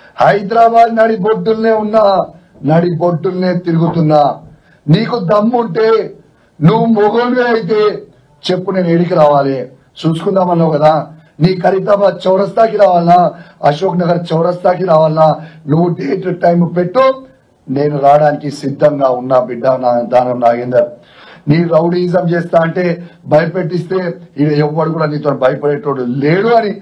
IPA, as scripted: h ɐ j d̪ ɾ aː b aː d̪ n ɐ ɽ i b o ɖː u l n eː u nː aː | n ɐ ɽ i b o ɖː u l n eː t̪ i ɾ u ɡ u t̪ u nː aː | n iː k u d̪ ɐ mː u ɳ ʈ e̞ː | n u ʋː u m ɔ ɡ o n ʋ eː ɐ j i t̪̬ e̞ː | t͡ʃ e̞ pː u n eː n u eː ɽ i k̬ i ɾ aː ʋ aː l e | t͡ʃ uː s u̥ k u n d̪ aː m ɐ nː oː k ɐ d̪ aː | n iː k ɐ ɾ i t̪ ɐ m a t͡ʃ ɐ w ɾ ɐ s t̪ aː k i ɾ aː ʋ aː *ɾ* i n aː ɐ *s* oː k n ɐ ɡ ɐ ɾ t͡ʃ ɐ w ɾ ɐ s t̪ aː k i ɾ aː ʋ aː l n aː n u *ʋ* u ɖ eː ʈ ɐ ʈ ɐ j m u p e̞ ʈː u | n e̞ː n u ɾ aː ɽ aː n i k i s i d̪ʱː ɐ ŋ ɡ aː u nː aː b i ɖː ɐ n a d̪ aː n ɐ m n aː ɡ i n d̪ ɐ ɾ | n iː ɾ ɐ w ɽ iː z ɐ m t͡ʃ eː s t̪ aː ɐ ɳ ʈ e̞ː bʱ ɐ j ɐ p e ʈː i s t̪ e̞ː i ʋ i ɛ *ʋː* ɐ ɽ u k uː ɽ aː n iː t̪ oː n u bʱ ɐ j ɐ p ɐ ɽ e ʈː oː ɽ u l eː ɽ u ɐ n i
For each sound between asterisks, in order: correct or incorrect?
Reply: incorrect, incorrect, incorrect, correct

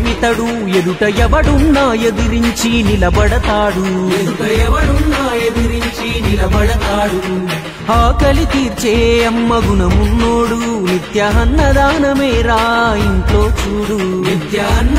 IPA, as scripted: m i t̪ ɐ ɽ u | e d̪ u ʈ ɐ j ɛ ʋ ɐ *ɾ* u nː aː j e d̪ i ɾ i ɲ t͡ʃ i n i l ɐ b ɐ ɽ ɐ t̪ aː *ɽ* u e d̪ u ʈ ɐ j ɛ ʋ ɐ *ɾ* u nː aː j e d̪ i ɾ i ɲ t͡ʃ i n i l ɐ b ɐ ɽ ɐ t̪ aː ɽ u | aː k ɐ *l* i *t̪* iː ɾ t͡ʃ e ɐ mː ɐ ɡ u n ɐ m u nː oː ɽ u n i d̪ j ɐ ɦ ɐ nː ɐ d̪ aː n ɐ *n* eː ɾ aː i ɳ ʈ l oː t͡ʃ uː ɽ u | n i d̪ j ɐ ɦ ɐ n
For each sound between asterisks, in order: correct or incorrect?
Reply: incorrect, correct, incorrect, correct, correct, incorrect

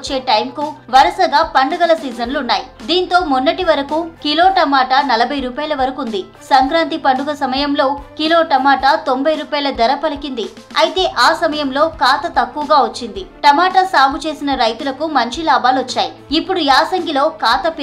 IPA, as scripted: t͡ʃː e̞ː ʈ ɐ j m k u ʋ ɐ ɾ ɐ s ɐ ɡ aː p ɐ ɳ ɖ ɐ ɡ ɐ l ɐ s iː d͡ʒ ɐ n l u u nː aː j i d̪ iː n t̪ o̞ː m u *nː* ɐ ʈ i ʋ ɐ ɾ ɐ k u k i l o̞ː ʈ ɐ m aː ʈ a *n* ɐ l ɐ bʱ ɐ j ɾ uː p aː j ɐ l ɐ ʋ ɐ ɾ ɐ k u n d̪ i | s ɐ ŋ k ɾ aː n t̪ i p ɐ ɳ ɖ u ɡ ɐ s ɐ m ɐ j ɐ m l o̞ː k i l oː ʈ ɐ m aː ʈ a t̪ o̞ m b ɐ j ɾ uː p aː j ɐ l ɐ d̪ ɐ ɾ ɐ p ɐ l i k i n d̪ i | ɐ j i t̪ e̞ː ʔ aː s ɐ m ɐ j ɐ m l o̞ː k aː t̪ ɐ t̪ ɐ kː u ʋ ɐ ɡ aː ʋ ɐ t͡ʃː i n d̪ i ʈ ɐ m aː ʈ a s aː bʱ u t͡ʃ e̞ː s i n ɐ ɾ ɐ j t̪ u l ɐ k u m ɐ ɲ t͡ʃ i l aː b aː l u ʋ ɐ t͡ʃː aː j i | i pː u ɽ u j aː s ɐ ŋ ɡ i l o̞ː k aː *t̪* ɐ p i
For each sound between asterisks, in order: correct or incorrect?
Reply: correct, correct, correct

